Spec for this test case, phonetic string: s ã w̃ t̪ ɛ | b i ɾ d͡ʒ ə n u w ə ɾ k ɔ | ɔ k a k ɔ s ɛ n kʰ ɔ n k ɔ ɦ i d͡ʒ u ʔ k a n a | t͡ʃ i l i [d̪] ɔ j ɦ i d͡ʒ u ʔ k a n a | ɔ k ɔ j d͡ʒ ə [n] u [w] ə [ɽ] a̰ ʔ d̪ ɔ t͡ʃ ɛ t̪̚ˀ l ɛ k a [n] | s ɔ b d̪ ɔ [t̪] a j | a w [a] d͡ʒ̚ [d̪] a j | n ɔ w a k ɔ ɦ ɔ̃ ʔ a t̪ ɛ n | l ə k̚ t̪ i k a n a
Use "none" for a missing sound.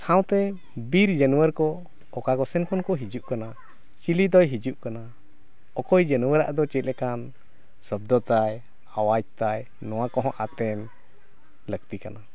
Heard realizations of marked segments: d̪, n, w, ɾ, n, t̪, a, t̪

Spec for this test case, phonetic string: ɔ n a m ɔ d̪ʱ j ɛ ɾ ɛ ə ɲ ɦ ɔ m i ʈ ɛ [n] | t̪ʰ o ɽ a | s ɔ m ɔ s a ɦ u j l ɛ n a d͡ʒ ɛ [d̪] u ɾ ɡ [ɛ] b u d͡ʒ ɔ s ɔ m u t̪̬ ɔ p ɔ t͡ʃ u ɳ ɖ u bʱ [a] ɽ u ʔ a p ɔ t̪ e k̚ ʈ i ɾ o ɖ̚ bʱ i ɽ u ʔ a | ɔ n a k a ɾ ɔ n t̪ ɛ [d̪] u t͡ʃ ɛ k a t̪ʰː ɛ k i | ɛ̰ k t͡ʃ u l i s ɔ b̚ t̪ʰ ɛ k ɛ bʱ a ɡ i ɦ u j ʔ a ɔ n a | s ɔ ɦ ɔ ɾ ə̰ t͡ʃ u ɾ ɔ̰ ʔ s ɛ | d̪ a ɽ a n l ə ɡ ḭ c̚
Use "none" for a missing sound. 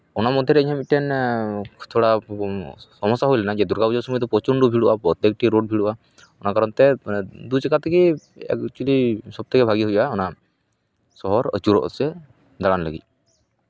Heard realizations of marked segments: n, d̪, a, i, d̪

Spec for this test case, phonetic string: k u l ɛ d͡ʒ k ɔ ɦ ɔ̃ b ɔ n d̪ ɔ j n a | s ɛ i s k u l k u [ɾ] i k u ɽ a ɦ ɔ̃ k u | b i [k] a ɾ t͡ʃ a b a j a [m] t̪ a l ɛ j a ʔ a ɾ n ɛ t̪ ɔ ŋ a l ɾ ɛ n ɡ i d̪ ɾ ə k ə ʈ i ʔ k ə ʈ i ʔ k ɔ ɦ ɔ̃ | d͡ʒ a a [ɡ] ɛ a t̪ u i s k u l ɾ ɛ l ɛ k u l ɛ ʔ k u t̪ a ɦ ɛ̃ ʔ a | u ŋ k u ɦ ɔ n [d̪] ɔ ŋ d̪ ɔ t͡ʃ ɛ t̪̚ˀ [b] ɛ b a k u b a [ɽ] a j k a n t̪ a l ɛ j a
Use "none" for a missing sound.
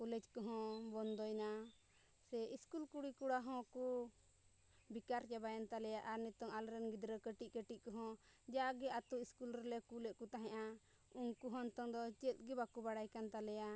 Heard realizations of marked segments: ɽ, k, n, ɡ, t̪, ɡ, ɽ

